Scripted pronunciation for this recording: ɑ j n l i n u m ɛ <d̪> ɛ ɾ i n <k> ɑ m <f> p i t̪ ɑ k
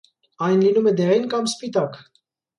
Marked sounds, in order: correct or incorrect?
correct, correct, incorrect

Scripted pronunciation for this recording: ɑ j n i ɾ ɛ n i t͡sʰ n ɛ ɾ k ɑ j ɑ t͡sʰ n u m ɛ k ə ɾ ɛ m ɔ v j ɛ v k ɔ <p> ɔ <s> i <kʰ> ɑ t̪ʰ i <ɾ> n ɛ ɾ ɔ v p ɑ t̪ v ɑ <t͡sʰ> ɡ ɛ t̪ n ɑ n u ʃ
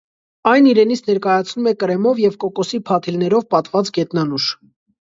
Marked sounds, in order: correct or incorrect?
incorrect, correct, incorrect, incorrect, incorrect

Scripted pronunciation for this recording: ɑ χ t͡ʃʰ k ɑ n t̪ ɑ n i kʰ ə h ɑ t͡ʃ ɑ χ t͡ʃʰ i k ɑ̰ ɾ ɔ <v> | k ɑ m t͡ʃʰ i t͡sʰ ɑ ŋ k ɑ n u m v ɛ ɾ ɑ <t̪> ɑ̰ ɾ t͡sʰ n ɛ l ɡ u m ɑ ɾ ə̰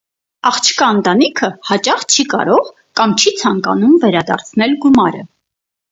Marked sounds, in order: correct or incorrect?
incorrect, incorrect

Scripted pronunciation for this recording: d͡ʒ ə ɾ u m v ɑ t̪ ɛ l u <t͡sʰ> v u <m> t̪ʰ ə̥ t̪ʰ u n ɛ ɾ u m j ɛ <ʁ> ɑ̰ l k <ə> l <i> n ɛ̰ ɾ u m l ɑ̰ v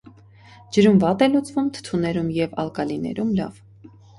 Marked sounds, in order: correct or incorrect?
incorrect, correct, incorrect, incorrect, correct

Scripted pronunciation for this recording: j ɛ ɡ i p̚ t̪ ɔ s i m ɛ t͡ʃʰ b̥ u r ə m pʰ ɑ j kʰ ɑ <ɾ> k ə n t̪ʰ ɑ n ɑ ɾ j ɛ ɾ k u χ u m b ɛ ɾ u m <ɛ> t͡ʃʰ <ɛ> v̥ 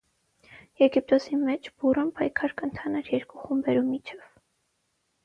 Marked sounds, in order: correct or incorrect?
correct, incorrect, correct

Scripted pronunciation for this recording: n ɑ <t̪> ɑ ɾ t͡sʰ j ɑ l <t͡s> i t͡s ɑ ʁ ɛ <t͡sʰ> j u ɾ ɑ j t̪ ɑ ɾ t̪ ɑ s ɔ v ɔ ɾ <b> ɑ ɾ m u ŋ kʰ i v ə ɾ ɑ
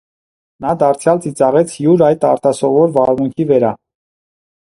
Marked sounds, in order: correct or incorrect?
incorrect, correct, correct, incorrect

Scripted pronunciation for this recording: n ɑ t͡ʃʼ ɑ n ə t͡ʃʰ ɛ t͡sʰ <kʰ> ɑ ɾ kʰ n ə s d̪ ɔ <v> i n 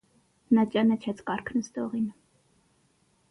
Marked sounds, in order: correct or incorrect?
incorrect, incorrect

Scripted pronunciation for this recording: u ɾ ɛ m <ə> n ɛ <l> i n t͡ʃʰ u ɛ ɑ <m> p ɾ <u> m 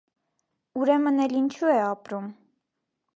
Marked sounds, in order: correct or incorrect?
correct, correct, incorrect, correct

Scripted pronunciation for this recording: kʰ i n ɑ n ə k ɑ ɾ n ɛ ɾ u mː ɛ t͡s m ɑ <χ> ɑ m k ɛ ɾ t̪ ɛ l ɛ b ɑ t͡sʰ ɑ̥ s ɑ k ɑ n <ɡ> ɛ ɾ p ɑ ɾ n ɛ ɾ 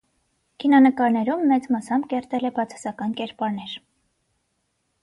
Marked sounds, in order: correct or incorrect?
incorrect, incorrect

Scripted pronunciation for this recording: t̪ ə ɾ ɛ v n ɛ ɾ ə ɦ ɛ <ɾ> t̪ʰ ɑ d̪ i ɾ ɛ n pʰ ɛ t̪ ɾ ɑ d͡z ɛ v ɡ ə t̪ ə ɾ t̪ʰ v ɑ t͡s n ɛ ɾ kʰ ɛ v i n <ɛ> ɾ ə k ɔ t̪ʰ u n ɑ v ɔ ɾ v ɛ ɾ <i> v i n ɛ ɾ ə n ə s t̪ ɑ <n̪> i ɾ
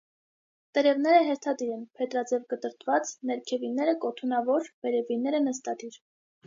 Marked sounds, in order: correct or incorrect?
correct, correct, incorrect, incorrect

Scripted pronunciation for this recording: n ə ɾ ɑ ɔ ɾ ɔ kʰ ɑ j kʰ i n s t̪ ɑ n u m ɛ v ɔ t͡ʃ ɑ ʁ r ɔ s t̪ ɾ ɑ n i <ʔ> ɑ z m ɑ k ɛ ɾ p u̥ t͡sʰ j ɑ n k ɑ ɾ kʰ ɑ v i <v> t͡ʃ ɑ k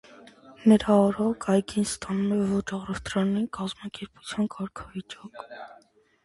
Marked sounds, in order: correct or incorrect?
incorrect, incorrect

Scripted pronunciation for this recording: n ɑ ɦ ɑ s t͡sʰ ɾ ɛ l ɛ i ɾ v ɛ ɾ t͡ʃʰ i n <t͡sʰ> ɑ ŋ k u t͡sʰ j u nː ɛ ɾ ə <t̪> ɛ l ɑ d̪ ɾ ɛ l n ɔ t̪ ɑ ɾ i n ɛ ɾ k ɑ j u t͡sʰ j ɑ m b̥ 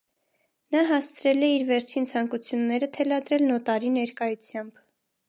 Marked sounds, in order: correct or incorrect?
correct, incorrect

